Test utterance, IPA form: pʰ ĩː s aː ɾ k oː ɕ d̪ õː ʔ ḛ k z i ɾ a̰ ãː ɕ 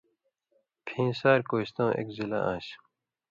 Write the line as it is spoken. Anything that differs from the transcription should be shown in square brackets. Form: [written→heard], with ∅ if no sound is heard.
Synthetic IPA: pʰ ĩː s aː ɾ k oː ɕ [d̪→t̪] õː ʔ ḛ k z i [ɾ→l] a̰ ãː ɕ